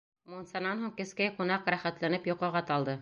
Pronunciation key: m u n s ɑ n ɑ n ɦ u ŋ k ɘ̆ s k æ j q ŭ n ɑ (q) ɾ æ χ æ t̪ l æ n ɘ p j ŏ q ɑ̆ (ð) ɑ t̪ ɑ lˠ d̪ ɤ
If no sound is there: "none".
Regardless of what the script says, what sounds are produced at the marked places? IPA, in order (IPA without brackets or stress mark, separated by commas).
q, ʁ